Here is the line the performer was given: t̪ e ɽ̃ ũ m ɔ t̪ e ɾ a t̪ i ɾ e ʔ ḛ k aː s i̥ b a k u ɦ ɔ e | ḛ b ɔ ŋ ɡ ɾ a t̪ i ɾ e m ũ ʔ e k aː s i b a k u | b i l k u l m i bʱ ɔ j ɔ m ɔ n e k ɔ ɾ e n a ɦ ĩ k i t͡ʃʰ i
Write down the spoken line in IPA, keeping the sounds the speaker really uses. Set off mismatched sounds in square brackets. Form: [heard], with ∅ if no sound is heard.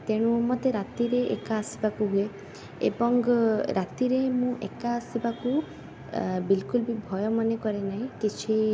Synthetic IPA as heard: t̪ e ɽ̃ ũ m ɔ t̪ e ɾ a t̪ i ɾ e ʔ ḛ k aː s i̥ b a k u ɦ [u] e | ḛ b ɔ ŋ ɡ ɾ a t̪ i ɾ e m ũ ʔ e k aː s i b a k u | b i l k u l [b] i bʱ ɔ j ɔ m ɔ n e k ɔ ɾ e n a ɦ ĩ k i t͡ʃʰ i